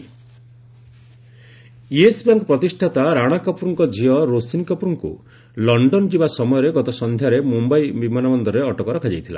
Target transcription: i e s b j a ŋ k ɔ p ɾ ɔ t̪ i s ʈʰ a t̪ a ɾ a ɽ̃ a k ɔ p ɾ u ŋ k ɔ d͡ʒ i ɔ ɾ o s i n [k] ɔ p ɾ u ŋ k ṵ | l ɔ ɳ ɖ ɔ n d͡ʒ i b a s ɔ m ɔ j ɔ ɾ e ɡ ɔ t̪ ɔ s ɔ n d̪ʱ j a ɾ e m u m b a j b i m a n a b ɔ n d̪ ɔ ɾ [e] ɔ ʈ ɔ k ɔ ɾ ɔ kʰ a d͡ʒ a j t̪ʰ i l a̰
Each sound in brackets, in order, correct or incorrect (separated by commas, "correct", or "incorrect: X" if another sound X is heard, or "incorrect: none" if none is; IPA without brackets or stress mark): correct, correct